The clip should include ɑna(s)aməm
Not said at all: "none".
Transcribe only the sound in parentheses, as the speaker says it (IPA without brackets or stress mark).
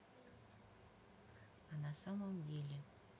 s